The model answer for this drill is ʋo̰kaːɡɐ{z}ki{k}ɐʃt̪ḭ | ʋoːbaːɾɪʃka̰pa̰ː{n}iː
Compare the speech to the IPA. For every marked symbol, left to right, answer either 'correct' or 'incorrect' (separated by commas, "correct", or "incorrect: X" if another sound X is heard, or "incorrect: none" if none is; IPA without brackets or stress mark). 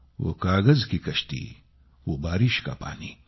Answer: correct, correct, correct